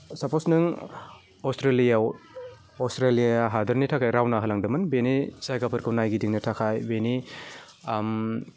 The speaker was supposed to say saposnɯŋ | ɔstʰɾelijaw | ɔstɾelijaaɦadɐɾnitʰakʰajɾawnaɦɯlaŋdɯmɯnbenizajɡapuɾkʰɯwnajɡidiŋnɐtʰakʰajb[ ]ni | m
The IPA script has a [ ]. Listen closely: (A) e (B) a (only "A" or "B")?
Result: A